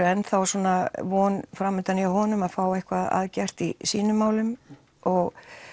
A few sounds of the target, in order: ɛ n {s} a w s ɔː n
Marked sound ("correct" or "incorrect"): incorrect